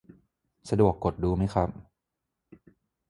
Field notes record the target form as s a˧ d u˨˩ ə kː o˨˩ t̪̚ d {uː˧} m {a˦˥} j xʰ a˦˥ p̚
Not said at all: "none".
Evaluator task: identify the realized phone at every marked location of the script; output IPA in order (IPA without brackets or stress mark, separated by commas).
uː˧, a˦˥